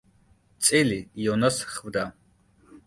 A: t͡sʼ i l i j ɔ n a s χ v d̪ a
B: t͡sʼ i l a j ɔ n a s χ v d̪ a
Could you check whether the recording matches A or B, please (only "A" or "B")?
A